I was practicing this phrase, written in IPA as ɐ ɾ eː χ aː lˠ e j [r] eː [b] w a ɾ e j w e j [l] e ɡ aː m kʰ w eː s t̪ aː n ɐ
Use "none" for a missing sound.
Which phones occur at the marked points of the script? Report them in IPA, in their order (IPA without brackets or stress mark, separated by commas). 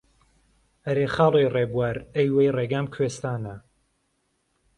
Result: r, b, r